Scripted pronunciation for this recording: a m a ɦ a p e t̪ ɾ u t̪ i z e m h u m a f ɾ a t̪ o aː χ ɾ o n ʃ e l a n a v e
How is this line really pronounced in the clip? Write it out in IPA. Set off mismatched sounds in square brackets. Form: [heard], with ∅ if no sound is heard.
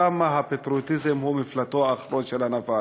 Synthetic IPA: a m a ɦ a p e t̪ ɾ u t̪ i z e m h u m [i] f [l] a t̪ o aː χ ɾ o n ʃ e l a n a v [a]